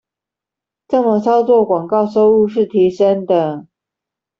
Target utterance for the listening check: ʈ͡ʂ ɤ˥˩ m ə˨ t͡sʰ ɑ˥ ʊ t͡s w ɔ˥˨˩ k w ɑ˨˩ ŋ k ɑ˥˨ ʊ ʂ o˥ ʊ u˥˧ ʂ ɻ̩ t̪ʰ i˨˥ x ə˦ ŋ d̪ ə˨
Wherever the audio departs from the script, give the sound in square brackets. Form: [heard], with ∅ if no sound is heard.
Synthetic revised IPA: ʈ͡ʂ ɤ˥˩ m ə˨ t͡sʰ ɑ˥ ʊ t͡s w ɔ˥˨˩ k w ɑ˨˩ ŋ k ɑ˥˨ ʊ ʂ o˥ ʊ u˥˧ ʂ ɻ̩ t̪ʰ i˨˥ [ʂ] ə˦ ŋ d̪ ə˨